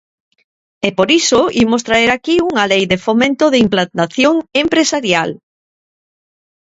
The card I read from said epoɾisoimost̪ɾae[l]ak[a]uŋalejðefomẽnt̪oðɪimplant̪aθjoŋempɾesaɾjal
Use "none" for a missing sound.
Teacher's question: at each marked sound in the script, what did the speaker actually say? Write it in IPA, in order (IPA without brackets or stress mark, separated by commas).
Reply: ɾ, i